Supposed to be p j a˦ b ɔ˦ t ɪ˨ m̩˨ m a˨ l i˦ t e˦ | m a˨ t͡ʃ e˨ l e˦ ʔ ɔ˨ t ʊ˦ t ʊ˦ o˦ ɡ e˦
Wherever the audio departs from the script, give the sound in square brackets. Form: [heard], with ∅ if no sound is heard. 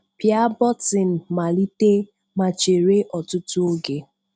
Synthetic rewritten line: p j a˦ b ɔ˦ t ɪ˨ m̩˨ m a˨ l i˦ t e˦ | m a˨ t͡ʃ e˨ [ɾ] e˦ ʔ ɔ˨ t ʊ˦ t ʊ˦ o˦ ɡ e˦